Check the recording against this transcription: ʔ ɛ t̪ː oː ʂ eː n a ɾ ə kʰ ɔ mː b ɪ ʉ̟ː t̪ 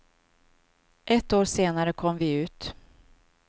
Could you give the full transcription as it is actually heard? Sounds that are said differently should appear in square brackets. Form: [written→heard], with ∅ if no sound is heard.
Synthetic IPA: ʔ ɛ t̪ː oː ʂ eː n a ɾ ə kʰ ɔ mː [b→v] ɪ ʉ̟ː t̪